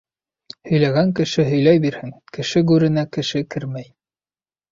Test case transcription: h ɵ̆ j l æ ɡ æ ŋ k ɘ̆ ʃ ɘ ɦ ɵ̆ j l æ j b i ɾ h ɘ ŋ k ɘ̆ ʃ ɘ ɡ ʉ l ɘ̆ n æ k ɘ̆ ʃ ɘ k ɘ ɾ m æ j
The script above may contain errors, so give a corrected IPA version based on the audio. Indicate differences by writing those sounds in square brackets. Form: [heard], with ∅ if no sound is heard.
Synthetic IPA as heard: h ɵ̆ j l æ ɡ æ ŋ k ɘ̆ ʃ ɘ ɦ ɵ̆ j l æ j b i ɾ h ɘ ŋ k ɘ̆ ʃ ɘ ɡ ʉ [ɾ] ɘ̆ n æ k ɘ̆ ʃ ɘ k ɘ ɾ m æ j